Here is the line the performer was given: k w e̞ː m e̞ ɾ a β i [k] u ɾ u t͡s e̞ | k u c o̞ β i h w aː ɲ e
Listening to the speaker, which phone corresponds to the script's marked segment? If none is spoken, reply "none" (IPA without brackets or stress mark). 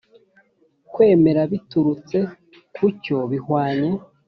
t